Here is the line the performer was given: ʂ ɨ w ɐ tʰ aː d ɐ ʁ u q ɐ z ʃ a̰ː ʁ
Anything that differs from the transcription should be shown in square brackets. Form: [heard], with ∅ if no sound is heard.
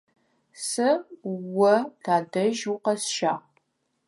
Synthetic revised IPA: [s] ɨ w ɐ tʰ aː d ɐ [ʒ] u q ɐ [s] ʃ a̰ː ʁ